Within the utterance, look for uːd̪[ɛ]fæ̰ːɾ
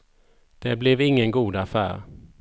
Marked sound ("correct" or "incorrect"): incorrect